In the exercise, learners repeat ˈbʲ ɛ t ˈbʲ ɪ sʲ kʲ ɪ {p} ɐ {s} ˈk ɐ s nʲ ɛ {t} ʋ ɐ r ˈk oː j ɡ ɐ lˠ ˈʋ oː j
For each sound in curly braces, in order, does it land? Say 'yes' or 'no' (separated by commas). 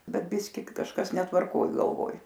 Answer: no, no, yes